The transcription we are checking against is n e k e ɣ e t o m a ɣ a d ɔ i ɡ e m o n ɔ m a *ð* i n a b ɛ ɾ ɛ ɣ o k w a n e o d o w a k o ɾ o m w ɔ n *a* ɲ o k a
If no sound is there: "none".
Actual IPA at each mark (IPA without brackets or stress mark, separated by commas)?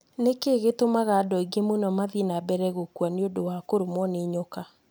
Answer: ð, e